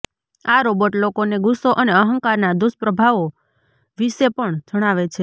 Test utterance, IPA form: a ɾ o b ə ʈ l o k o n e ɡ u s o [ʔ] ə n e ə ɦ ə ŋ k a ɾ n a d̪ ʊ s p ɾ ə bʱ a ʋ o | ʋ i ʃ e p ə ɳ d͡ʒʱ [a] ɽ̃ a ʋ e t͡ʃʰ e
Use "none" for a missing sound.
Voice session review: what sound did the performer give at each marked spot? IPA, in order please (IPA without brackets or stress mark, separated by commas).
ʔ, ə